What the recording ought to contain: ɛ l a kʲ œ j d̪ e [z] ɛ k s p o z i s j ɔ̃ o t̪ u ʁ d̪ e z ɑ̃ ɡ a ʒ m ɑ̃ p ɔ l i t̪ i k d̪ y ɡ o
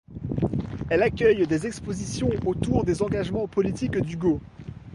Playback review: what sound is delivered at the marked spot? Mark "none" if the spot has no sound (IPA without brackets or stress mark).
z